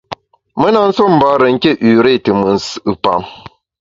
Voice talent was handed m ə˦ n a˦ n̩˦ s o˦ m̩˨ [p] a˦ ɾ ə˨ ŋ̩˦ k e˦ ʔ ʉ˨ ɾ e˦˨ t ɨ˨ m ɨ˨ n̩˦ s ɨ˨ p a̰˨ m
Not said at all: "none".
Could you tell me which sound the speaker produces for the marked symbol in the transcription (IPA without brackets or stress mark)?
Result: b